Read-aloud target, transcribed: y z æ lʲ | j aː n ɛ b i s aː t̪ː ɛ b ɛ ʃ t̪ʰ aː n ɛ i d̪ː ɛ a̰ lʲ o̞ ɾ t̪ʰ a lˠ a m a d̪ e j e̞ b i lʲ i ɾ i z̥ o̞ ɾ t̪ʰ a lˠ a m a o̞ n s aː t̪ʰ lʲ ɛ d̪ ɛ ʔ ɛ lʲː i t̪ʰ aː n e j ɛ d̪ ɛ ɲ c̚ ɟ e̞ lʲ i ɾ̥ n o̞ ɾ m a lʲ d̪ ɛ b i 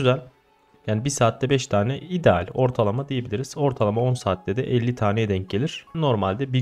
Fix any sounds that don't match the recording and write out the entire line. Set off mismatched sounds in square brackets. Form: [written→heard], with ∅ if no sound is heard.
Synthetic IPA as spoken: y z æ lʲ | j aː n [ɛ→i] b i s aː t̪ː ɛ b ɛ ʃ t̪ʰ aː n ɛ i [d̪ː→d̪] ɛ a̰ lʲ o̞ ɾ t̪ʰ a lˠ a m a d̪ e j e̞ b i lʲ i ɾ i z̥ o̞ ɾ t̪ʰ a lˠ a m a o̞ n s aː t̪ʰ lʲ ɛ d̪ ɛ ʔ ɛ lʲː i t̪ʰ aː n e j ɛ d̪ ɛ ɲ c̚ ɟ e̞ lʲ i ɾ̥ n o̞ ɾ m a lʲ d̪ ɛ b i